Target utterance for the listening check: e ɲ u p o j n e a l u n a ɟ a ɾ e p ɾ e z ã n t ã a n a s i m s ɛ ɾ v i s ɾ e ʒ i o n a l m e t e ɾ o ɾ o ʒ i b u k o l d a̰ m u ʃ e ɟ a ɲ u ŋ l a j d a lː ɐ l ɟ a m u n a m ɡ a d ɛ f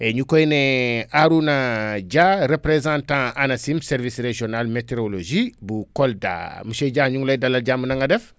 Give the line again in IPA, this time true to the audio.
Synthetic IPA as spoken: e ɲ u k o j n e a ɾ u n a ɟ a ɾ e p ɾ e z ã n t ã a n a s i m s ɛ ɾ v i s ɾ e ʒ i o n a l m e t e ɾ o l o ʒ i b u k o l d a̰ m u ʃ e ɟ a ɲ u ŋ l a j d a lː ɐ l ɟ a m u n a ŋ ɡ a d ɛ f

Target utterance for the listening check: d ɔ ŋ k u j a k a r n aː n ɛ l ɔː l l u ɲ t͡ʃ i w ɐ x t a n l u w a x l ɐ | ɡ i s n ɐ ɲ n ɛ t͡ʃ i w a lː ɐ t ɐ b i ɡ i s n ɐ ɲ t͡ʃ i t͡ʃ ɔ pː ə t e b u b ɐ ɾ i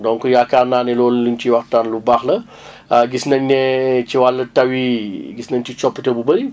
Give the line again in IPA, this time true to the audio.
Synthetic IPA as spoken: d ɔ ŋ k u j a k a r n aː n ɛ l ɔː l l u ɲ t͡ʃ i w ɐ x t a n l u b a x l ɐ | ɡ i s n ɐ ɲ n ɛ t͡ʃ i w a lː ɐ t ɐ w i ɡ i s n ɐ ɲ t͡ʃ i t͡ʃ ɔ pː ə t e b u b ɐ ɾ i

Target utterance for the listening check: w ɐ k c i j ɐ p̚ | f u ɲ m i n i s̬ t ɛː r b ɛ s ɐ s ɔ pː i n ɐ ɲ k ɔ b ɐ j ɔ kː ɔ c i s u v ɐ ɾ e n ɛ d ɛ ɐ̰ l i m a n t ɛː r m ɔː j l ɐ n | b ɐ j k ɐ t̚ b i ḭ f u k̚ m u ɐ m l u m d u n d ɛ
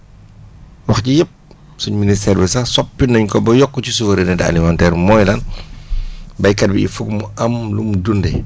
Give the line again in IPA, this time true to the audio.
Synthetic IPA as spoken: w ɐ x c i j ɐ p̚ | s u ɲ m i n i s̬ t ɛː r b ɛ s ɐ s ɔ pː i n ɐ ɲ k ɔ b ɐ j ɔ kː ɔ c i s u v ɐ ɾ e n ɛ d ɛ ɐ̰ l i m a n t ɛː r m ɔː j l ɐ n | b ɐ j k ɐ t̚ b i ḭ f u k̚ m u ɐ m l u m d u n d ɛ

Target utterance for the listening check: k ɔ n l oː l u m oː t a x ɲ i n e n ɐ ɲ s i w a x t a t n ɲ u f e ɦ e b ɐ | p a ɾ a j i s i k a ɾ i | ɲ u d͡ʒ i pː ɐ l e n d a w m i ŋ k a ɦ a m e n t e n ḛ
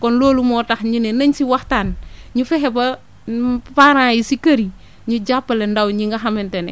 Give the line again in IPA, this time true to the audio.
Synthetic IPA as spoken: k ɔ n l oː l u m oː t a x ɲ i n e n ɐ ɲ s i w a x t a n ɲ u f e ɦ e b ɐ | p a ɾ a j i s i k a ɾ i | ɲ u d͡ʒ a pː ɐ l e n d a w ɲ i ŋ ɡ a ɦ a m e n t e n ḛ

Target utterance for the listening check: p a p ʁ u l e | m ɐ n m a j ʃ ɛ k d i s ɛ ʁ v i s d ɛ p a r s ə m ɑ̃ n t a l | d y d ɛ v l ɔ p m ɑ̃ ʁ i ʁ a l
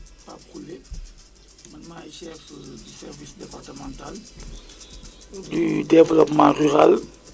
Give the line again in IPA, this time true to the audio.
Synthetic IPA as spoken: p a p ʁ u l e | m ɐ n m a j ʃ ɛ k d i s ɛ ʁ v i s d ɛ p a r t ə m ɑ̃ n t a l | d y d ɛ v l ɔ p m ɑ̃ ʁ y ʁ a l

